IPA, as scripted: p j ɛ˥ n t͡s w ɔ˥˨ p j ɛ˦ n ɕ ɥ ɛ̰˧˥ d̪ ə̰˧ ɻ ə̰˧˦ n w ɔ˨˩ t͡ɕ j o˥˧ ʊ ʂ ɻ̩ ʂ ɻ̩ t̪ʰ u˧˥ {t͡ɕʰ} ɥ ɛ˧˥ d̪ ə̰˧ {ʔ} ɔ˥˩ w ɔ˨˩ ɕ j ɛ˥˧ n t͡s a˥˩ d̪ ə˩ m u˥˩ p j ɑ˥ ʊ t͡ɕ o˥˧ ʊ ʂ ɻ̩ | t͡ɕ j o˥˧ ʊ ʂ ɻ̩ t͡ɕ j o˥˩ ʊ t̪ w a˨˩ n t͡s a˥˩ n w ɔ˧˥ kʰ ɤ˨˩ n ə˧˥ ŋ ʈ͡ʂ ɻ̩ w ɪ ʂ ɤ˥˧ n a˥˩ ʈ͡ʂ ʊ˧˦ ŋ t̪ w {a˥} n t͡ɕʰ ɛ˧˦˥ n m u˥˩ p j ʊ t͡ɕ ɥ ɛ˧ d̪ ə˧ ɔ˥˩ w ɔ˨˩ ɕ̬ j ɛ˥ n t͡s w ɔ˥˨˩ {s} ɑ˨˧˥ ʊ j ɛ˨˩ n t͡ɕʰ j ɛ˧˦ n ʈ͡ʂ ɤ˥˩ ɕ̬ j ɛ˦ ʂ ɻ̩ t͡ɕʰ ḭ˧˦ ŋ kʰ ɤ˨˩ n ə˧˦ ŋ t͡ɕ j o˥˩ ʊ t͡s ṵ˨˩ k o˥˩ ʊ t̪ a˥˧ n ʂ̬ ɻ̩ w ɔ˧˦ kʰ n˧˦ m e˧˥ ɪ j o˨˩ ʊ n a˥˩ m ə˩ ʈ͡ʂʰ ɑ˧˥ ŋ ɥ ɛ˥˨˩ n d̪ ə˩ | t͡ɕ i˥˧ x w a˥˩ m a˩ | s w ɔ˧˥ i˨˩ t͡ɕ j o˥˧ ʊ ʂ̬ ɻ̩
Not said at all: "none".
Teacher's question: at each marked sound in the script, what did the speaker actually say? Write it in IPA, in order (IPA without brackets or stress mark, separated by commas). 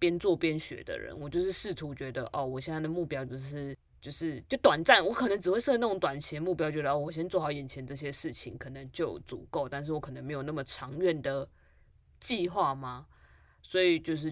t͡ɕ, ʔ, a˨˩, x